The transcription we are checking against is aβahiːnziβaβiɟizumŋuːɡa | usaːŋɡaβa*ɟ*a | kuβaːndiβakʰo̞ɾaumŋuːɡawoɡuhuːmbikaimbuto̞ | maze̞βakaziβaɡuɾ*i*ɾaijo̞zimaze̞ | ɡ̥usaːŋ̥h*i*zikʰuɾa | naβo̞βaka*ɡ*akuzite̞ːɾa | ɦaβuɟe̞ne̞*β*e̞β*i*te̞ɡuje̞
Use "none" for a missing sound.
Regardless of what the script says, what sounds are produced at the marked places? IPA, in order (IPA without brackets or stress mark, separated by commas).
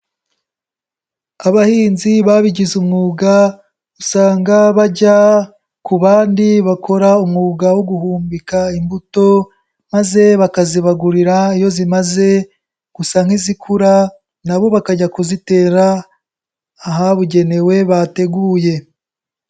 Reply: ɟ, i, i, ɟ, w, a